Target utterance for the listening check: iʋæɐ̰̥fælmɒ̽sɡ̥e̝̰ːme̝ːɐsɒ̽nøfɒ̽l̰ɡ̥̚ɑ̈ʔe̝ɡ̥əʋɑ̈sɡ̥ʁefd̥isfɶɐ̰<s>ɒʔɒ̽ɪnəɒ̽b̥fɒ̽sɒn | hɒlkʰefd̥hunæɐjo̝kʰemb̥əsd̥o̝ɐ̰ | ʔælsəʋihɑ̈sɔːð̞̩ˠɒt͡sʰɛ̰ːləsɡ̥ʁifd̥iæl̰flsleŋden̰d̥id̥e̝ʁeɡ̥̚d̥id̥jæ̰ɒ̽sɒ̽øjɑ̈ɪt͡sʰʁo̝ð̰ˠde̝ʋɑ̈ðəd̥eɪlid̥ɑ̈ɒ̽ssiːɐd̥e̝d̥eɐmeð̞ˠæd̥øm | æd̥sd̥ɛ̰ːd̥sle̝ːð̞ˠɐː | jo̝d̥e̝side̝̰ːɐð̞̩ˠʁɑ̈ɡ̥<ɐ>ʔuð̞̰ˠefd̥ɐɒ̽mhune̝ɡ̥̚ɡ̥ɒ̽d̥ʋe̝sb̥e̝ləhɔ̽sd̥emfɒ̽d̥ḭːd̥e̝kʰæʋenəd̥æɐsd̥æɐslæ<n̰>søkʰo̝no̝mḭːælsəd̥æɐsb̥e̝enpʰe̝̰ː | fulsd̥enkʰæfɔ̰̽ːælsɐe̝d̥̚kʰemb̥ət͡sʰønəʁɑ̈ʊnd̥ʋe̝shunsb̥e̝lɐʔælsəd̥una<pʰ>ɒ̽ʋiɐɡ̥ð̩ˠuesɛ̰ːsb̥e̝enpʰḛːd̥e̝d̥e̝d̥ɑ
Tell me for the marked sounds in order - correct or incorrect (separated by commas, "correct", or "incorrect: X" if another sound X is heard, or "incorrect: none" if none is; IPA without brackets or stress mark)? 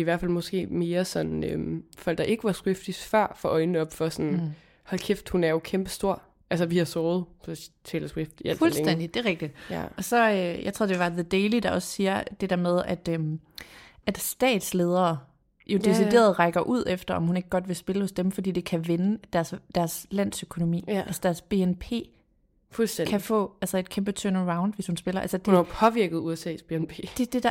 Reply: incorrect: f, correct, correct, correct